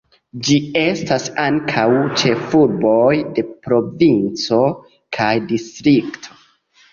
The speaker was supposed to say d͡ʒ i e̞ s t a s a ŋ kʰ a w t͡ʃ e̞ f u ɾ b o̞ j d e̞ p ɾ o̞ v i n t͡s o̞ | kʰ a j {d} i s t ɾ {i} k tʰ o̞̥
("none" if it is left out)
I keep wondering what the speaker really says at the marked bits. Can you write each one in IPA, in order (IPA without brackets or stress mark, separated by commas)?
d, i